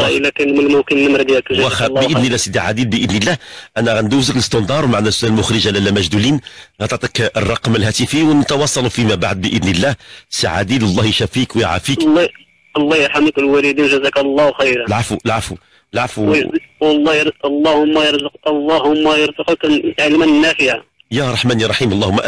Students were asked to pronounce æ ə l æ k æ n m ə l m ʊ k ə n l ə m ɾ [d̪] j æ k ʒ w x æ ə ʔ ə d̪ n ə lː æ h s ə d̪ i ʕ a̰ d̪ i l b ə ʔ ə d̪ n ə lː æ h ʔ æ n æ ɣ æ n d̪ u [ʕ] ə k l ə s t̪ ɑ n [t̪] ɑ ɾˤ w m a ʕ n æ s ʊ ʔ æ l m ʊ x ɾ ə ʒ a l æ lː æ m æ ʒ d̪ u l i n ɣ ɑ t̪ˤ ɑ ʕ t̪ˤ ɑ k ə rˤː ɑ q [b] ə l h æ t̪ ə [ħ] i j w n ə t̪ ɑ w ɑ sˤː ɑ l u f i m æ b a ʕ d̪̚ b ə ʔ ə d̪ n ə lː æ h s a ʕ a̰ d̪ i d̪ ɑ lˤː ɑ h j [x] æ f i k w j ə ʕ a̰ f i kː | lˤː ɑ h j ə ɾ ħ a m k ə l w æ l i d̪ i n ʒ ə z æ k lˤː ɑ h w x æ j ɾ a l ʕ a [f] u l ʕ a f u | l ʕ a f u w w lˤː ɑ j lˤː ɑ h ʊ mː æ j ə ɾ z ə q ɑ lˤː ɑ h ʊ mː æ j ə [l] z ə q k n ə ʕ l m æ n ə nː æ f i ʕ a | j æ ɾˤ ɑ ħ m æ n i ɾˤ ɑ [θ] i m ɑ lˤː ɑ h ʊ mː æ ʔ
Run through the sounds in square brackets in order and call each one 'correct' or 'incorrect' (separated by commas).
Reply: correct, incorrect, incorrect, incorrect, incorrect, incorrect, correct, incorrect, incorrect